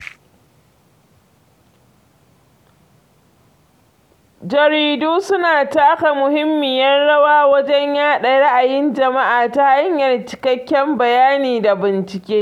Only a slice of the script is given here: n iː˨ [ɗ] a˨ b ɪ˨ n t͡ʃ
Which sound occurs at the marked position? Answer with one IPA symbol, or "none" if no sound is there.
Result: d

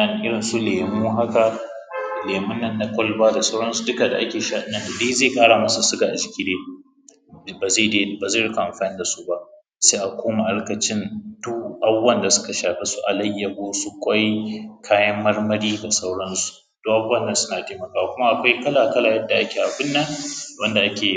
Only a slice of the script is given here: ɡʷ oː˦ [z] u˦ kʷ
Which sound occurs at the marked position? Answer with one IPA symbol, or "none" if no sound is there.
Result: s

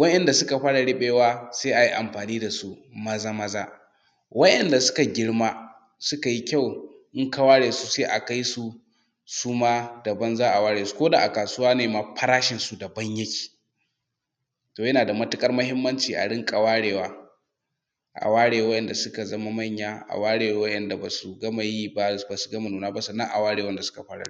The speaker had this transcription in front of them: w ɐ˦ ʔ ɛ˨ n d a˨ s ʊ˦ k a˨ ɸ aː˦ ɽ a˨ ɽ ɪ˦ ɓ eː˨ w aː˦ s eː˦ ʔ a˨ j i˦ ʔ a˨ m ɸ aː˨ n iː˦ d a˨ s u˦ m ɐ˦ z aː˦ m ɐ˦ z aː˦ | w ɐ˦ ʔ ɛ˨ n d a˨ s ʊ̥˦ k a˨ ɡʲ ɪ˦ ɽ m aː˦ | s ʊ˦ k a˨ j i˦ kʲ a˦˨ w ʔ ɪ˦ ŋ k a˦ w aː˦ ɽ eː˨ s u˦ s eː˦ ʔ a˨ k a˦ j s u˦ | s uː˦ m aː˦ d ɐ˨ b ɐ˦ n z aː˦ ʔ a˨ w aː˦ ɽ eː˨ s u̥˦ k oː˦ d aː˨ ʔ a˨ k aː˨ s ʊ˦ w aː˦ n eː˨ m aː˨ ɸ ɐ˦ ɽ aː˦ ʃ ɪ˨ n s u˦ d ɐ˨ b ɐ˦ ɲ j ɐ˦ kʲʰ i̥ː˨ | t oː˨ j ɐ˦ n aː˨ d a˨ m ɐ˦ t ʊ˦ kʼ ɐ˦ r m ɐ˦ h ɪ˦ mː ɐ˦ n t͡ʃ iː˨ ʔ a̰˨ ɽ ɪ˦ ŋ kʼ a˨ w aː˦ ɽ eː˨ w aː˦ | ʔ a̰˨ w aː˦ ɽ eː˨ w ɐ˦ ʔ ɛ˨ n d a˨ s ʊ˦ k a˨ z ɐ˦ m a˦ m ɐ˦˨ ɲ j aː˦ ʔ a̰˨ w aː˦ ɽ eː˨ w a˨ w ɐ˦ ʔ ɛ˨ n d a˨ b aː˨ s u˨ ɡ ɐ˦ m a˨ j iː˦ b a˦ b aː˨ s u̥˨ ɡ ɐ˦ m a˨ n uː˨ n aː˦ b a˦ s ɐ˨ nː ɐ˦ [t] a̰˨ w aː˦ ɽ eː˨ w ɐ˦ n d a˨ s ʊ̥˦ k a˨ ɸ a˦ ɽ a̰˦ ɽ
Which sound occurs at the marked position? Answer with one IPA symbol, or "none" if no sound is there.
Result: ʔ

